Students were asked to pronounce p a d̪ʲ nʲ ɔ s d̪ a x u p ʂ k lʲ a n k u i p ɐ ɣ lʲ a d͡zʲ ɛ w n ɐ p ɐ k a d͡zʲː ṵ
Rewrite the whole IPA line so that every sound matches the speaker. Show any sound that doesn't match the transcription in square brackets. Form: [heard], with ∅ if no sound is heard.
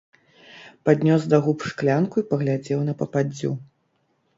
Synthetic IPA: p a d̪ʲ nʲ ɔ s d̪ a [ɣ] u p ʂ k lʲ a n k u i p ɐ ɣ lʲ a d͡zʲ ɛ w n ɐ p ɐ [p] a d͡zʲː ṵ